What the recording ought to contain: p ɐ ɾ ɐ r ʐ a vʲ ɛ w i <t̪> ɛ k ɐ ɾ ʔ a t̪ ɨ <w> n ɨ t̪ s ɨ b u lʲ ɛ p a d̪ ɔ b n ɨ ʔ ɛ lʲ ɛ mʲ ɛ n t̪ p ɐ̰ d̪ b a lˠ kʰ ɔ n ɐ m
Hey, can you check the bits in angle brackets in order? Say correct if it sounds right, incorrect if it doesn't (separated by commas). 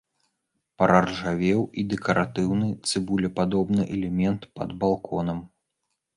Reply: incorrect, correct